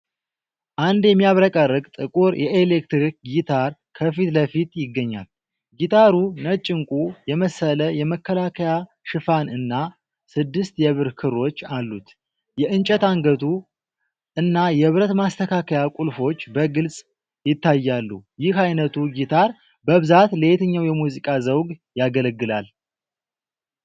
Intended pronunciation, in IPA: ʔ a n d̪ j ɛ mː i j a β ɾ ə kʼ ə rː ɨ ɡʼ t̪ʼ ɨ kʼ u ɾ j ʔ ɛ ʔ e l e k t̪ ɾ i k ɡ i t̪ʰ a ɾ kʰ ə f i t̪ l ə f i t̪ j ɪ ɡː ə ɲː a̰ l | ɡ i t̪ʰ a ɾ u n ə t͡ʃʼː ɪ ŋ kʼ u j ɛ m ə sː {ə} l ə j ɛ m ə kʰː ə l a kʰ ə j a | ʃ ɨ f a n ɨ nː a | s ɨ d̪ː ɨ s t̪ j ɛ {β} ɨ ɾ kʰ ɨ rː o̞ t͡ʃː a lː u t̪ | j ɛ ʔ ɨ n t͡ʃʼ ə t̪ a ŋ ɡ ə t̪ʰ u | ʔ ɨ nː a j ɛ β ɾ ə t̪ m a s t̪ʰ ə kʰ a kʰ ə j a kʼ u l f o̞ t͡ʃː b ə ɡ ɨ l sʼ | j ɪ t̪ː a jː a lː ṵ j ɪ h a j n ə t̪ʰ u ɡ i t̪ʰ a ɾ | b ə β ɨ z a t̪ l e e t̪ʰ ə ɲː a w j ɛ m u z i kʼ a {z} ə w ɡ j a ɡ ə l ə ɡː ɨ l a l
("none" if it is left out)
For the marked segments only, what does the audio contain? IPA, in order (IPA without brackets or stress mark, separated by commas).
ə, β, z